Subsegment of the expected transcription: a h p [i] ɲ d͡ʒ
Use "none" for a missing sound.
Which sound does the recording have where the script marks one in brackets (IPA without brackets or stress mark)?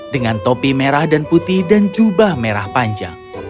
a